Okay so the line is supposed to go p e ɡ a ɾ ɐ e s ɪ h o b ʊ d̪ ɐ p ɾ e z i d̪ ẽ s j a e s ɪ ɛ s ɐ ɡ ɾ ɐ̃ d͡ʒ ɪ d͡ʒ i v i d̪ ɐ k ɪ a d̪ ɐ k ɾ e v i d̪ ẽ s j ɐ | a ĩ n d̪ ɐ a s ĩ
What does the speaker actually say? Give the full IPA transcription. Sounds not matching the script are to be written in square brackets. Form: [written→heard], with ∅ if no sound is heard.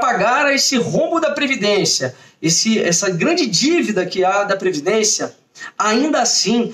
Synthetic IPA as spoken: p [e→a] ɡ a ɾ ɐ e s ɪ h [o→õ] b ʊ d̪ ɐ p ɾ e [z→v] i d̪ ẽ s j [a→ɐ] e s ɪ ɛ s ɐ ɡ ɾ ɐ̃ d͡ʒ ɪ d͡ʒ i v i d̪ ɐ k ɪ a d̪ ɐ [k→p] ɾ e v i d̪ ẽ s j ɐ | a ĩ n d̪ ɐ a s ĩ